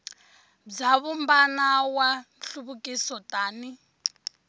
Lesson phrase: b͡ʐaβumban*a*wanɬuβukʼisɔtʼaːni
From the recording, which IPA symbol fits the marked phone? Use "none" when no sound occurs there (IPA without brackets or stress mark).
a